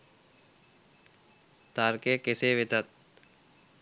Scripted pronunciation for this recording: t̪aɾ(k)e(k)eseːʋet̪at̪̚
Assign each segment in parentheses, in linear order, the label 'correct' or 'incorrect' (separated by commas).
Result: correct, correct